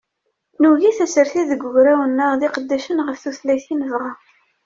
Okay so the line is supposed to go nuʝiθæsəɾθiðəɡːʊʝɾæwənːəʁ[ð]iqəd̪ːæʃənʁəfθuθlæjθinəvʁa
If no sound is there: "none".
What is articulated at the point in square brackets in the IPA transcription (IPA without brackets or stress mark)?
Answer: ð